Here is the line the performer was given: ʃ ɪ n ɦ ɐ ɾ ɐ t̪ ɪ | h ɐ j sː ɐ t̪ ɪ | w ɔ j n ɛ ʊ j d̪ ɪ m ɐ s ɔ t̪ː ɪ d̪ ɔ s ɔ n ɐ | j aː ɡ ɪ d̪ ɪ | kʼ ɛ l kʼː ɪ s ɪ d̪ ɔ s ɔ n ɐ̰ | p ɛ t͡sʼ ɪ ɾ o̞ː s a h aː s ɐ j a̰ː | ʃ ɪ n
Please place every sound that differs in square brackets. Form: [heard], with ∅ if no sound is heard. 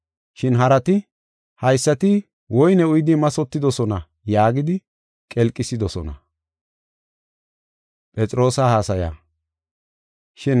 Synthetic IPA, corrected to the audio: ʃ ɪ n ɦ ɐ ɾ ɐ t̪ ɪ | h ɐ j sː ɐ t̪ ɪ | w ɔ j n ɛ ʊ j d̪ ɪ m ɐ s ɔ t̪ː ɪ d̪ ɔ s ɔ n ɐ | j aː ɡ ɪ d̪ ɪ | kʼ ɛ l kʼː ɪ s ɪ d̪ ɔ s ɔ n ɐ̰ | [pʼ] ɛ t͡sʼ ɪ ɾ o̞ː s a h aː s ɐ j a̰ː | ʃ ɪ n